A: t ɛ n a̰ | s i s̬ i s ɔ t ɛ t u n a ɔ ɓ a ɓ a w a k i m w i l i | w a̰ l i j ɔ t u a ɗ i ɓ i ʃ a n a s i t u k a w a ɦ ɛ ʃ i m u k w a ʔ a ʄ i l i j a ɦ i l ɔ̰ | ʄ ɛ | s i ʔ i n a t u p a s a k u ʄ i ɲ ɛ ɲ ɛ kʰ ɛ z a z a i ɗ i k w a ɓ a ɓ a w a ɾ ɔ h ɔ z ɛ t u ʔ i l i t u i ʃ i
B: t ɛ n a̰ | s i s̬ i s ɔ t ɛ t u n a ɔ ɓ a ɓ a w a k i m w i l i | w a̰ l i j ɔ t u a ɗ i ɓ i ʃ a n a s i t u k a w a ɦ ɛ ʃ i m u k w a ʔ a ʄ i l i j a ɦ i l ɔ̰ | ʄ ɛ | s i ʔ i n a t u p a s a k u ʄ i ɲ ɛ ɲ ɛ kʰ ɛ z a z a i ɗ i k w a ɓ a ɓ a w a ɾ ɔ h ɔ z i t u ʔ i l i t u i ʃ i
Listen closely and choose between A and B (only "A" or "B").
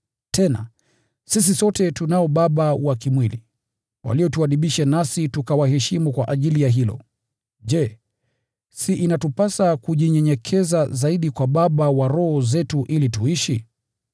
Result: A